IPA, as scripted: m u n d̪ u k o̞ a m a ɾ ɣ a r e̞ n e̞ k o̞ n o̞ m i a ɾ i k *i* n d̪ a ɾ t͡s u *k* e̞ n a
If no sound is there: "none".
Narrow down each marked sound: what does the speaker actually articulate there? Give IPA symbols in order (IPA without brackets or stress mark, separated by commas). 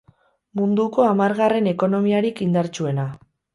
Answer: i, none